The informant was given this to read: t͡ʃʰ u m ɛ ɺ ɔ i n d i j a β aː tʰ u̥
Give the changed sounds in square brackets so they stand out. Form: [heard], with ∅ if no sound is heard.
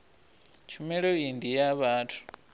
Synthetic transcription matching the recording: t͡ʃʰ u m ɛ ɺ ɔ i n d i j a β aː tʰ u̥